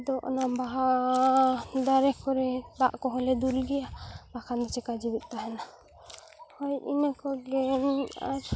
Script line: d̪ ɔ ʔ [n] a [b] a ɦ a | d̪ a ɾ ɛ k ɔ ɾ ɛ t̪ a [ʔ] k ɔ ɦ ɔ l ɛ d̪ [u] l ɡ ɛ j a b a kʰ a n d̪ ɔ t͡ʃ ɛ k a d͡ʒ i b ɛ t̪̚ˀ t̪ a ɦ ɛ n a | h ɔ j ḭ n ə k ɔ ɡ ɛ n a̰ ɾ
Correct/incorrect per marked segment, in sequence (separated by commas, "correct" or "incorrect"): correct, correct, correct, correct